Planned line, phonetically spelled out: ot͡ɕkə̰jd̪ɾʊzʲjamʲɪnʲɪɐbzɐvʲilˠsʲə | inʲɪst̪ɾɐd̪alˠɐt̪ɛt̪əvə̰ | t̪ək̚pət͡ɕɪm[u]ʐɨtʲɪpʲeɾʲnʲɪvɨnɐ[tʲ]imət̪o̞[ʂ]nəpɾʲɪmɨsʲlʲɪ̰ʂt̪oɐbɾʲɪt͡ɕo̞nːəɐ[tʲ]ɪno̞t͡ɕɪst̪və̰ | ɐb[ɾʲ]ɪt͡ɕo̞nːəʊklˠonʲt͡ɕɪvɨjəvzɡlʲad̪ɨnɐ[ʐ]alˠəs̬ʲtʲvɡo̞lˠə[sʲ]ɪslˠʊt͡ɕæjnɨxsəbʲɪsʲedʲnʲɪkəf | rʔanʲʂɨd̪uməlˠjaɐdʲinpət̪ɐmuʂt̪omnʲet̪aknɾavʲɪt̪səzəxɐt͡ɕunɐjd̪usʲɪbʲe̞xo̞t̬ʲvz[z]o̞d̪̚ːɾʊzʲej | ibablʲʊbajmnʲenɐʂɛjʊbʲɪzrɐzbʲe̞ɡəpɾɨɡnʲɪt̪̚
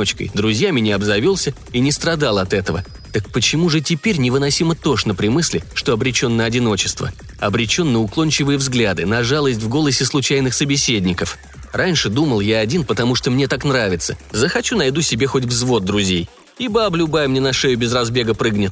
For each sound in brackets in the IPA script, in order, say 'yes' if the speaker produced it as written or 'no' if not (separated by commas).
yes, no, yes, no, yes, yes, yes, no